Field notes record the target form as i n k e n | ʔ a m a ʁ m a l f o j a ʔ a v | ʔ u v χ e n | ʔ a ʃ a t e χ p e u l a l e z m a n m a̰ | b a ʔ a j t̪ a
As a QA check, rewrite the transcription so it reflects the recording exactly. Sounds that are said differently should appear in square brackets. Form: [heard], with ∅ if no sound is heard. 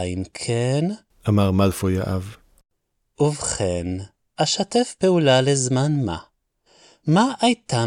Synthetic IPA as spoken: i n [kʰ] e n | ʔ a m a ʁ m a l f o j a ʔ a v | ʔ u v χ e n | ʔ a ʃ a t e [f] p e u l a l e z m a n m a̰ | [m] a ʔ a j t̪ a